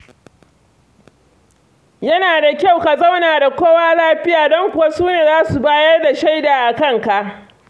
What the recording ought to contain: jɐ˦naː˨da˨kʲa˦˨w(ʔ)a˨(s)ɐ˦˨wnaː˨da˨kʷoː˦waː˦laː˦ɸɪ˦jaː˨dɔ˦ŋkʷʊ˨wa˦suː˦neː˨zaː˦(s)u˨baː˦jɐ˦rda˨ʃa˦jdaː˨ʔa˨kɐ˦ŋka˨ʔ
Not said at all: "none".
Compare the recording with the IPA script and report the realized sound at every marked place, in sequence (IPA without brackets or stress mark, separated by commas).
k, z, s